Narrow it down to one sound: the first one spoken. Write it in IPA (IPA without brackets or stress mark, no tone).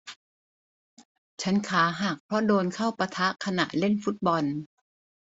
t͡ɕʰ